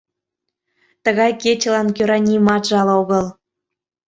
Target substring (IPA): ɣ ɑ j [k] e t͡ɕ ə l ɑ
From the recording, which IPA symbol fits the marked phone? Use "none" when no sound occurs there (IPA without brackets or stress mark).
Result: k